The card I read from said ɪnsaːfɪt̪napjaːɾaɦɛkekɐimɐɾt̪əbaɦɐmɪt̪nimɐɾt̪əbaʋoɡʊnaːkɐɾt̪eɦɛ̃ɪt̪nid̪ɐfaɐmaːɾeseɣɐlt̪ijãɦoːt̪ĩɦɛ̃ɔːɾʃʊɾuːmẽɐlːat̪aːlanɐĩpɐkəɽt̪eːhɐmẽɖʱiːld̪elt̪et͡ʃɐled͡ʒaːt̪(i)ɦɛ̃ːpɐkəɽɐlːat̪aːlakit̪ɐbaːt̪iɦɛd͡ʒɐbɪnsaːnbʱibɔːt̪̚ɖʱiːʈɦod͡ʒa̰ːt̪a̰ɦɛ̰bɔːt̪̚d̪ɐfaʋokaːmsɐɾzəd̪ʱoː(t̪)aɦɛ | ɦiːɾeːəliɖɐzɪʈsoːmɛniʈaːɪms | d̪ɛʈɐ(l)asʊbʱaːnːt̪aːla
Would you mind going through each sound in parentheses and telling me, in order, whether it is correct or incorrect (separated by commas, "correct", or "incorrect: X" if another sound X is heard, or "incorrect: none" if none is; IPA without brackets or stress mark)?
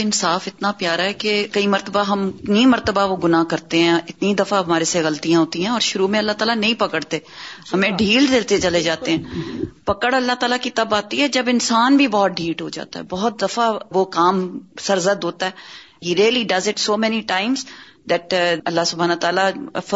incorrect: e, correct, incorrect: lː